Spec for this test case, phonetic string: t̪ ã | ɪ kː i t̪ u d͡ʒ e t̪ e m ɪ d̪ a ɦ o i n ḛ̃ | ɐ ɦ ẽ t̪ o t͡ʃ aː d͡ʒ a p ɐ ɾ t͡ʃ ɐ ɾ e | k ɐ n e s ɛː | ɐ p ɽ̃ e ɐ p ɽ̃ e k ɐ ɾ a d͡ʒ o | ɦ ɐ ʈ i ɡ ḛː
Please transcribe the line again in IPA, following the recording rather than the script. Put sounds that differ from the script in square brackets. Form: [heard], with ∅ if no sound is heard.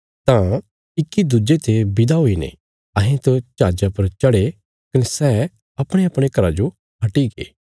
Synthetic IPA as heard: t̪ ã | ɪ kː i [d̪] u d͡ʒ e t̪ e [b] ɪ d̪ a ɦ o i n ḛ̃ | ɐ ɦ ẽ t̪ o t͡ʃ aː d͡ʒ a p ɐ ɾ t͡ʃ ɐ [ɽ] e | k ɐ n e s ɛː | ɐ p ɽ̃ e ɐ p ɽ̃ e k ɐ ɾ a d͡ʒ o | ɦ ɐ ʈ i ɡ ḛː